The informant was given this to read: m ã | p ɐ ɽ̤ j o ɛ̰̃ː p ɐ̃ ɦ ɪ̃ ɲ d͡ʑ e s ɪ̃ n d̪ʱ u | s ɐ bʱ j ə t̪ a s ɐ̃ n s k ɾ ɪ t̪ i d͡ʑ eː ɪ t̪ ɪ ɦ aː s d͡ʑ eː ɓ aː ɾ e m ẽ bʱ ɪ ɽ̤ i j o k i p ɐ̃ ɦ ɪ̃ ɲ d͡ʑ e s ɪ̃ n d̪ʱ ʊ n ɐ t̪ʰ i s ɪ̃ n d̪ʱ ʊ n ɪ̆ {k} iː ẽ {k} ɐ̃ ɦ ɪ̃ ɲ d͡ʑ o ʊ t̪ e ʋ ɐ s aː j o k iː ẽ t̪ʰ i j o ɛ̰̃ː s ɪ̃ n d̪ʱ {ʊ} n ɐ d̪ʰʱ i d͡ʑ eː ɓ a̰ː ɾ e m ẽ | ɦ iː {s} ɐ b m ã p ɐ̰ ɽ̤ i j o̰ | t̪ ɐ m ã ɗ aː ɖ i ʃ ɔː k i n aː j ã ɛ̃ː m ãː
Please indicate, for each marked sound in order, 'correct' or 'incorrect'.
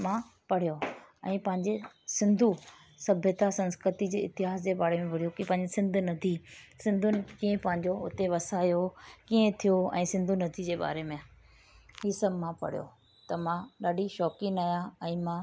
correct, incorrect: p, incorrect: u, correct

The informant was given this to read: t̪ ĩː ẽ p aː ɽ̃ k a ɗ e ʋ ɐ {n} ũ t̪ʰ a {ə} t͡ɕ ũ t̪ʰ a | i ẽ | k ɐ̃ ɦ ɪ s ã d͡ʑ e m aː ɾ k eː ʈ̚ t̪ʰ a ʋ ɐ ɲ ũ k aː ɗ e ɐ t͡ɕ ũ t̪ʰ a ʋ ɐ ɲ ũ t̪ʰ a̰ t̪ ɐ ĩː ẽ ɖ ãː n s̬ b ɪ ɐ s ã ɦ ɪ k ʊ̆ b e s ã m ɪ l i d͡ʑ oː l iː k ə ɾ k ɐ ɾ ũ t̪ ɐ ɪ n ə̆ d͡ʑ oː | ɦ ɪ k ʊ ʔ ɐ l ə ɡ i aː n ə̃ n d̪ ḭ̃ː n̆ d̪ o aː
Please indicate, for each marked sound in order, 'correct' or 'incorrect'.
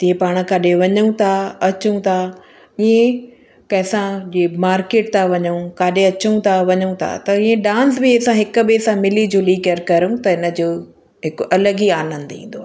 incorrect: ɲ, incorrect: ɐ

